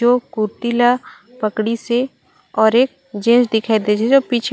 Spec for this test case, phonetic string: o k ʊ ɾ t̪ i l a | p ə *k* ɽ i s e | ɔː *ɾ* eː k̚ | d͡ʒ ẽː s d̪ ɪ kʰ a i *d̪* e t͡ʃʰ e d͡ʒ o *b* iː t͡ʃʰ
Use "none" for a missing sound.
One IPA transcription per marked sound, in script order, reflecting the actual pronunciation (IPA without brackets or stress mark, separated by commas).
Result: k, ɾ, d̪, p